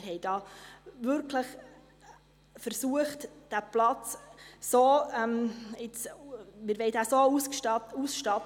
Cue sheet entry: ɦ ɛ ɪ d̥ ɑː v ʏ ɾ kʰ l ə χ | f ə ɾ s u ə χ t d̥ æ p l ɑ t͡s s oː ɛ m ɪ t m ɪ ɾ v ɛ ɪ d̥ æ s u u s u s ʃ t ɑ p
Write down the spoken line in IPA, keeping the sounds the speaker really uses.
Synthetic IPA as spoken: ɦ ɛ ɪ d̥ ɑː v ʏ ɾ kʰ l ə χ | f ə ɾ s u ə χ t d̥ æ p l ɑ t͡s s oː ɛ m ɪ t͡s m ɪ ɾ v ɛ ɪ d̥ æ s o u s u s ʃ t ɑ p